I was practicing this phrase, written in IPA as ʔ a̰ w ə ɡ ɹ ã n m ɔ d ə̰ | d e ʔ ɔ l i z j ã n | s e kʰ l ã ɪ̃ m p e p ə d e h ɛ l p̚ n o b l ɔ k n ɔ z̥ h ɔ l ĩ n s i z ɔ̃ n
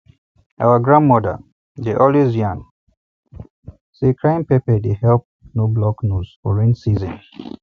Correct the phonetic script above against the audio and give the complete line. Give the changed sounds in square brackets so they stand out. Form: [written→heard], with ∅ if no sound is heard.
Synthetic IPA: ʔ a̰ w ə ɡ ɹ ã n m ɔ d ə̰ | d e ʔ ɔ l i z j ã n | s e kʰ [l→ɹ] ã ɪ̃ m p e p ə d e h ɛ l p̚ n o b l ɔ k n [ɔ→u] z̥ [h→f] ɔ [l→ɹ] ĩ n s i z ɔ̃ n